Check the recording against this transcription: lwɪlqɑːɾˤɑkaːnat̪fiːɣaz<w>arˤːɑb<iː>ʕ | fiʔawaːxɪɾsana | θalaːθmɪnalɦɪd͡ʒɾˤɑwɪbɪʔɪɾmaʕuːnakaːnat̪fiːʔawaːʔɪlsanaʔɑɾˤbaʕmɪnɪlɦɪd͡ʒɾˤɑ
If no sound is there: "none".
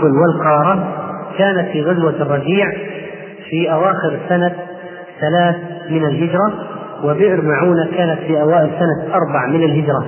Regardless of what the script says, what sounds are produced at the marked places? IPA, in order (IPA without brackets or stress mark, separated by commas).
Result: w, iː